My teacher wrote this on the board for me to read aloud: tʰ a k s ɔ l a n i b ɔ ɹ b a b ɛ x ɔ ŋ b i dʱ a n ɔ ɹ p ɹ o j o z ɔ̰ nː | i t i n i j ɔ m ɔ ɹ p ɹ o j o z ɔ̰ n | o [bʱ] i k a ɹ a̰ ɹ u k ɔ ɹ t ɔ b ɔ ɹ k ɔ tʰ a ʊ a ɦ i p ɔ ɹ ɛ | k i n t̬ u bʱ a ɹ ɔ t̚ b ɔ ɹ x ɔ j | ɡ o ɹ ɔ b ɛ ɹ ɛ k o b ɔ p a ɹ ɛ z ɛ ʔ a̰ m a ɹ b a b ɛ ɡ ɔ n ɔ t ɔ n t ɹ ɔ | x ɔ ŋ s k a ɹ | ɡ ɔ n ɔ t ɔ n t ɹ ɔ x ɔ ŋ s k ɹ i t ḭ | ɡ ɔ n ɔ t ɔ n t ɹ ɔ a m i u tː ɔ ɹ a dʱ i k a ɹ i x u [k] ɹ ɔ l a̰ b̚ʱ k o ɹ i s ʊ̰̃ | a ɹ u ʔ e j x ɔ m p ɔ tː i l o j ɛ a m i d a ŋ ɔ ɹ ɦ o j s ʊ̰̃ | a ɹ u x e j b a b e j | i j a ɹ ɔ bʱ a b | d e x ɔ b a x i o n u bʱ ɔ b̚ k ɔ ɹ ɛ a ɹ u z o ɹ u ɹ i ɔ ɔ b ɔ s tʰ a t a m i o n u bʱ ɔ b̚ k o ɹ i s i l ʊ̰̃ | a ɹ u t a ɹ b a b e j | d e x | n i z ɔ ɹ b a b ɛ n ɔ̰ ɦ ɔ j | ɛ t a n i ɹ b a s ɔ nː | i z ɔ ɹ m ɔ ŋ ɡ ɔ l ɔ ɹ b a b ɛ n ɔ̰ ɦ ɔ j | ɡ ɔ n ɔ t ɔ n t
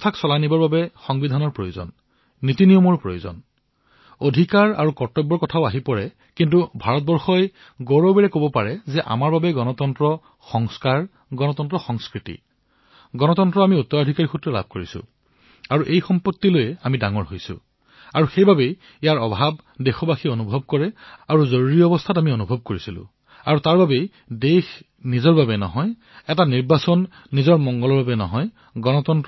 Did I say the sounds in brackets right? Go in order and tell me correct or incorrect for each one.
incorrect: dʱ, incorrect: t

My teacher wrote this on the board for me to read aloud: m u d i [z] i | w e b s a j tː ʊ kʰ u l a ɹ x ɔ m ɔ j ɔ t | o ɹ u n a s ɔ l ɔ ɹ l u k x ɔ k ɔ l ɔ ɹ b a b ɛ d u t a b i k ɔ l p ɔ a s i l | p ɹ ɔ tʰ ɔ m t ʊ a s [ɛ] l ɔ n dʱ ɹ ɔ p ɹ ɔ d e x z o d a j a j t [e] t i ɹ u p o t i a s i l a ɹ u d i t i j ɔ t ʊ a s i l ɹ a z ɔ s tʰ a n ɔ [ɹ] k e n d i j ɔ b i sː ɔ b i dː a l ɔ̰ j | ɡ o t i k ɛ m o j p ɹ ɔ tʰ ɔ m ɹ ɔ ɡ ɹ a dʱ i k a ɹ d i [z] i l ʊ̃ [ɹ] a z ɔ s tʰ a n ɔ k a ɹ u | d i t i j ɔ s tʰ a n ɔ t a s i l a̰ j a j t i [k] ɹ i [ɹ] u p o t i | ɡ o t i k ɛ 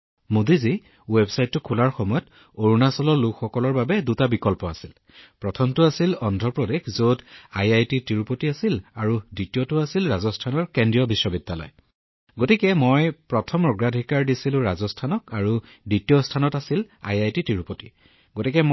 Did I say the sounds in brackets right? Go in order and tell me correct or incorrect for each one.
correct, incorrect: i, incorrect: i, correct, incorrect: s, correct, incorrect: t, correct

